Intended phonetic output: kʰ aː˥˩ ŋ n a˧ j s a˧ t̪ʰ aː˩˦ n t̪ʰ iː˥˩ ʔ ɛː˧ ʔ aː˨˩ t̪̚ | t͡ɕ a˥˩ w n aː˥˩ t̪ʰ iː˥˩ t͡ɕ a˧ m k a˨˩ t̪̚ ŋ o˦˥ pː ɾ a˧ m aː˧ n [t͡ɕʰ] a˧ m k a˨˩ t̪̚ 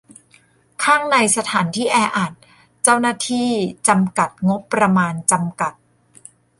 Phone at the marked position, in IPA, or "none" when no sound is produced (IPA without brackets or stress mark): t͡ɕ